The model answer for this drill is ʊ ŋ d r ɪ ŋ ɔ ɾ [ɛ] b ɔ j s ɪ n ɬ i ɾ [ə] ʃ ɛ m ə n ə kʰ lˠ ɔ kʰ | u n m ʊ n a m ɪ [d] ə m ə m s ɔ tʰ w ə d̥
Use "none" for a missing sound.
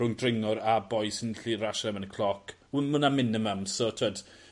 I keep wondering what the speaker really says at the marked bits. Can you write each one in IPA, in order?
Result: a, a, n

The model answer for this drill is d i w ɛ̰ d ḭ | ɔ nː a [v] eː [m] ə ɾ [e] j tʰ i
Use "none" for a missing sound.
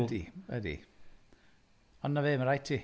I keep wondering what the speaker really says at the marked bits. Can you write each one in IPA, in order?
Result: v, m, a

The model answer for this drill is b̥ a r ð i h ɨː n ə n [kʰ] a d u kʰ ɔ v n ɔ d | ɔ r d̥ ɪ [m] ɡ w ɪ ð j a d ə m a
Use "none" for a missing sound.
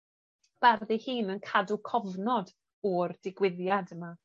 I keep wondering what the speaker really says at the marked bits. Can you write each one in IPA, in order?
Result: kʰ, none

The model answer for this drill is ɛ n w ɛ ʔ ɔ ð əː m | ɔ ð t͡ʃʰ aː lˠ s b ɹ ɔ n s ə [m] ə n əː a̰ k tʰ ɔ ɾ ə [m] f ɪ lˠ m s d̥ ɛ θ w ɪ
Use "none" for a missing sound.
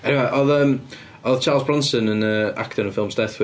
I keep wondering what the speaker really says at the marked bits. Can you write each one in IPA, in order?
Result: n, n

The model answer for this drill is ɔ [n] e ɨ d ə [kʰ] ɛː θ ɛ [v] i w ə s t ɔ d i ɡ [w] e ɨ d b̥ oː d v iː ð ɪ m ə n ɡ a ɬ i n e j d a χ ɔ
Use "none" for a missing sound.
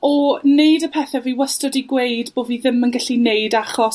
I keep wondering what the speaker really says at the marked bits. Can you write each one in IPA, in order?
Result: n, pʰ, v, w

